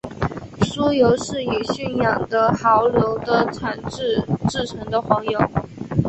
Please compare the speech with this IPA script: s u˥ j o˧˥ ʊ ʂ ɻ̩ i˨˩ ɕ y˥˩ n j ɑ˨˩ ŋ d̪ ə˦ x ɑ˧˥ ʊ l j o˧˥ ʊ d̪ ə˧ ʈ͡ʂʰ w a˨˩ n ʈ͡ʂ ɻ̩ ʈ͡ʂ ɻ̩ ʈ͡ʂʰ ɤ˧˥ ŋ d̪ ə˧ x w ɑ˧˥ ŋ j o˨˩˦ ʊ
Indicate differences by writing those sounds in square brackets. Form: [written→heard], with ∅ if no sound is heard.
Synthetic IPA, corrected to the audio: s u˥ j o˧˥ ʊ ʂ ɻ̩ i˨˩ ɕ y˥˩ n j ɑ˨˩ ŋ d̪ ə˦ x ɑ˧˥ ʊ l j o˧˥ ʊ d̪ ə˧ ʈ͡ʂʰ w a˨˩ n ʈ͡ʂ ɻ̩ ʈ͡ʂ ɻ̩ ʈ͡ʂʰ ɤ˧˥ ŋ d̪ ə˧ x w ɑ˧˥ ŋ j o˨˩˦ ʊ